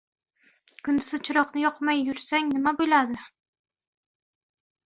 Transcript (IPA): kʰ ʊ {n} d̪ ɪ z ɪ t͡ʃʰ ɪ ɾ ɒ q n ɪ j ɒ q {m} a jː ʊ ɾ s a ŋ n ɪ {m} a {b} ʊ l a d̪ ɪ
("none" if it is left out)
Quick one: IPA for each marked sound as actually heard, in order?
n, m, m, b

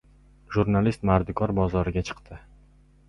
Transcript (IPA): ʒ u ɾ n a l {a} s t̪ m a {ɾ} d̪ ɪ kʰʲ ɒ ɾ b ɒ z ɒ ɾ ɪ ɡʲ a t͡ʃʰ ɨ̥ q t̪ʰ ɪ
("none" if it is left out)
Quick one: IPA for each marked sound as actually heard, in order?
i, ɾ

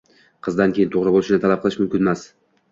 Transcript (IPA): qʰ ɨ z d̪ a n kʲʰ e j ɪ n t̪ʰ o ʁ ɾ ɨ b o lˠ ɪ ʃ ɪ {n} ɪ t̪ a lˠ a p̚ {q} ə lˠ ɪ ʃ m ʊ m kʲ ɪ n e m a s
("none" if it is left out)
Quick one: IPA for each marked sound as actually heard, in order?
n, q

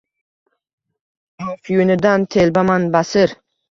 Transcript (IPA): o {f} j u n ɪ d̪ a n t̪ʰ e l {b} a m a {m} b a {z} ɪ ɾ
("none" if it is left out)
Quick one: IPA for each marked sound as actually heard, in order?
f, b, n, s

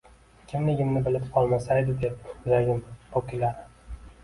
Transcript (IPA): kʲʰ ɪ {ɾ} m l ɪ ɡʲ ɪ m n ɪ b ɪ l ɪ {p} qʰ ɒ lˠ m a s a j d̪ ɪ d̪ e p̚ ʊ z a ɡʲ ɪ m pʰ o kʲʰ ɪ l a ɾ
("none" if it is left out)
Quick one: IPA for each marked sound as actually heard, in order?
none, p

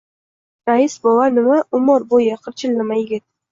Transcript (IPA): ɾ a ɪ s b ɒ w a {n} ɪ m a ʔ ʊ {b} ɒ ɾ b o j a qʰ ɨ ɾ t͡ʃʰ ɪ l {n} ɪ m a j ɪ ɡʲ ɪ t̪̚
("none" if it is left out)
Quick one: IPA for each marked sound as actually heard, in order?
n, m, n

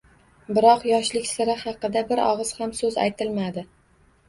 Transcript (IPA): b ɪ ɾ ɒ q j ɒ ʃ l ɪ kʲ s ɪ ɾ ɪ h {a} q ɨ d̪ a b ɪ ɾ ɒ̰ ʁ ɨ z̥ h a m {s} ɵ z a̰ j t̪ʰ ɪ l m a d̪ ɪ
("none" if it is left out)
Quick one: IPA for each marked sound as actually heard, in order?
ɑ, s

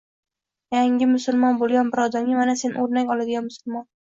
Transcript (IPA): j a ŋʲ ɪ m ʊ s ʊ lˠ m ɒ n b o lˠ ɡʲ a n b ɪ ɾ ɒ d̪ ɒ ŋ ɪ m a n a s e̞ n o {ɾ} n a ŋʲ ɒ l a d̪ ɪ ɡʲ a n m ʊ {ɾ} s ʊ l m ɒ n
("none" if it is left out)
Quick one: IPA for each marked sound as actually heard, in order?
ɾ, none

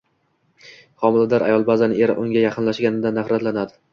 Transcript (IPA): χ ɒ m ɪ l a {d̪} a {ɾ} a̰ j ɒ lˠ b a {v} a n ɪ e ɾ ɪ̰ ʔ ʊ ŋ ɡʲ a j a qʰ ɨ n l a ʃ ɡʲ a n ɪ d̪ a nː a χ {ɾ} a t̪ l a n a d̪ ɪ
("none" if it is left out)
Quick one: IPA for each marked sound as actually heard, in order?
d̪, ɾ, z, ɾ

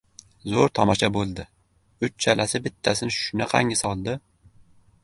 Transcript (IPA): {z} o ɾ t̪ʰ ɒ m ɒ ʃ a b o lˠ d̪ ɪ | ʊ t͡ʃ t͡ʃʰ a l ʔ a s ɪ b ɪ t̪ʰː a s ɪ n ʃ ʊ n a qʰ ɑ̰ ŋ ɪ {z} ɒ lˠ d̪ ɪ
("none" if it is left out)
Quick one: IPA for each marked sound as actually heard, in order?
z, s

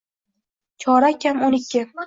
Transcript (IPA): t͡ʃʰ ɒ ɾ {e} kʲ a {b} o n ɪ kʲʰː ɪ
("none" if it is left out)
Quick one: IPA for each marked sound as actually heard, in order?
a, m

